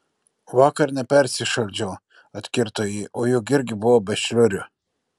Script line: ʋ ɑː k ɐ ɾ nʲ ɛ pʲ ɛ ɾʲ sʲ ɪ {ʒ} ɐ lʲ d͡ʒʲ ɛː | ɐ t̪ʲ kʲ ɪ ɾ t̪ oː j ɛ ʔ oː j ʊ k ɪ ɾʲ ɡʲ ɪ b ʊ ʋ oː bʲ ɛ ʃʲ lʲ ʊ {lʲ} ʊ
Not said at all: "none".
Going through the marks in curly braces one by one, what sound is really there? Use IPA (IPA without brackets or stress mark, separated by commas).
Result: ʃ, ɾʲ